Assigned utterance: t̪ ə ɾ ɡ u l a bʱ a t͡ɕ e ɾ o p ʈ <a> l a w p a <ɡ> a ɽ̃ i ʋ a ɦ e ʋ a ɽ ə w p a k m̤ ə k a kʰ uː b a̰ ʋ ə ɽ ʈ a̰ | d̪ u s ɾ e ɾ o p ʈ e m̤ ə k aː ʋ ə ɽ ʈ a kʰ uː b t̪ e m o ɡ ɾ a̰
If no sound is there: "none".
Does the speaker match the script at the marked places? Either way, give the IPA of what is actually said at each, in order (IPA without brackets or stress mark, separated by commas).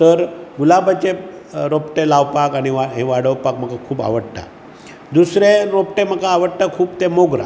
e, k